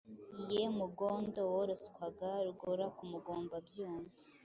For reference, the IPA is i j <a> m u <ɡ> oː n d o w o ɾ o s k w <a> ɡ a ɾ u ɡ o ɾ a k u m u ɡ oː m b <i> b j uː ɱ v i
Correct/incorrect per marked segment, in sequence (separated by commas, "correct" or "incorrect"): incorrect, correct, correct, incorrect